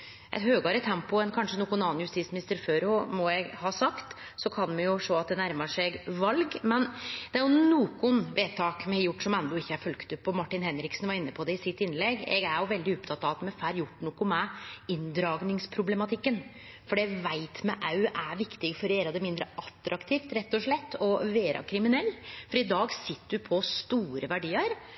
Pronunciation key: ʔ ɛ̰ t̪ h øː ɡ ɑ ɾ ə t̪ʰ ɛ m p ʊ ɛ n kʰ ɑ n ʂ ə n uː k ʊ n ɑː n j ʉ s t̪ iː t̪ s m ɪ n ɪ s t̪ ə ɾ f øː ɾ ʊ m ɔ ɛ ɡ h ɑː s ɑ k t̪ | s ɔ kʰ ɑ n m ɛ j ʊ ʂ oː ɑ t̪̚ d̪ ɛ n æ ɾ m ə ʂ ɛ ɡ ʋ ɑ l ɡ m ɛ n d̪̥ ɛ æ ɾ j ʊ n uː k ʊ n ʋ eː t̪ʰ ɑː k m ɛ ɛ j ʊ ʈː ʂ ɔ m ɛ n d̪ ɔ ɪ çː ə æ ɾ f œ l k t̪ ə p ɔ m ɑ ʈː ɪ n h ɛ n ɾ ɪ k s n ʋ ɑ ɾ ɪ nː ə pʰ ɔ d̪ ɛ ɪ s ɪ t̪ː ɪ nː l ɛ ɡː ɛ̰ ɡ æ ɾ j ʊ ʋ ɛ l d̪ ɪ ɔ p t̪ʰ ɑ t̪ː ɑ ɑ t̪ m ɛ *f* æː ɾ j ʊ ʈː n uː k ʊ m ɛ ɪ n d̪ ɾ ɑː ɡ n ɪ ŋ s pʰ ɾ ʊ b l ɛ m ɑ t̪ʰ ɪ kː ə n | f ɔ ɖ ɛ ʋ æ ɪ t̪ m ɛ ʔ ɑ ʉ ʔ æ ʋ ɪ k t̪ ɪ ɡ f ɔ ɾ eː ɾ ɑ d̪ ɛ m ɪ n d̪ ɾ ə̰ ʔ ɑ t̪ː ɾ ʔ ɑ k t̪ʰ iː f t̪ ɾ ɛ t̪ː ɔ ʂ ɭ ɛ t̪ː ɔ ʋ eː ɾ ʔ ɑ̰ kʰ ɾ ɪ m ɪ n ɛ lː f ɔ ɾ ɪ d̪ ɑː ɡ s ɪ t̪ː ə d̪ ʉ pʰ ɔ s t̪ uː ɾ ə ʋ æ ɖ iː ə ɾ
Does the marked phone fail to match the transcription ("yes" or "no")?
no